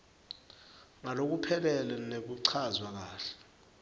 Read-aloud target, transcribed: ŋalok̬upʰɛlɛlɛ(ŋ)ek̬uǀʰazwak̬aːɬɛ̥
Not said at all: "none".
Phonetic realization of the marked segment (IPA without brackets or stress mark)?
n